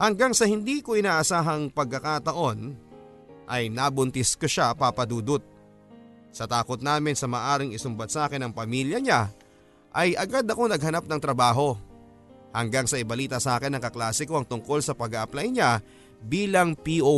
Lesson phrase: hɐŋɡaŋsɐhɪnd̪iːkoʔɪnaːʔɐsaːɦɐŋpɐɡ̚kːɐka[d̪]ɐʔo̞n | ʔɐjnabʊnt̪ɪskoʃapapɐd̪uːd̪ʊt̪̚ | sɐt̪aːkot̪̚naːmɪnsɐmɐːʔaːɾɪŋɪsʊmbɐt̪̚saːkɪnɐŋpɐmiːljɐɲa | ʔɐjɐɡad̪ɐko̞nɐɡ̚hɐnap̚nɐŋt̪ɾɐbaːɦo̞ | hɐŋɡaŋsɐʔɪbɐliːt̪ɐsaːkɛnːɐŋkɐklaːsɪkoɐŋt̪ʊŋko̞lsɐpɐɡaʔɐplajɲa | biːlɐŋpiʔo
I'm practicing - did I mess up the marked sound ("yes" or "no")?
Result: yes